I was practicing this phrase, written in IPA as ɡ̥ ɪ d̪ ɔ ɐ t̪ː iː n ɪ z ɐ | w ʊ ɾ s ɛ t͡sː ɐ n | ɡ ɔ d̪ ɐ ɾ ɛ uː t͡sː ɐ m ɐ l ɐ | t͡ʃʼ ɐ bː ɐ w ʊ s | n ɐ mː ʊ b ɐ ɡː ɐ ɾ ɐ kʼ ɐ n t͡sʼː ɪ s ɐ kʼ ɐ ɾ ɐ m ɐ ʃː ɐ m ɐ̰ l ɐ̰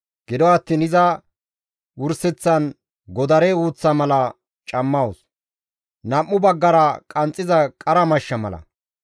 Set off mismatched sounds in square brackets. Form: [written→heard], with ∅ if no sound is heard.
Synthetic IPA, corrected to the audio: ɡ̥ ɪ d̪ ɔ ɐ t̪ː iː n ɪ z ɐ | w ʊ ɾ s ɛ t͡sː ɐ n | ɡ ɔ d̪ ɐ ɾ ɛ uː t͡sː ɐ m ɐ l ɐ | t͡ʃʼ ɐ [bː→mː] ɐ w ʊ s | n ɐ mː ʊ b ɐ ɡː ɐ ɾ ɐ kʼ ɐ n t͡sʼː ɪ [s→z] ɐ kʼ ɐ ɾ ɐ m ɐ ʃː ɐ m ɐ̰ l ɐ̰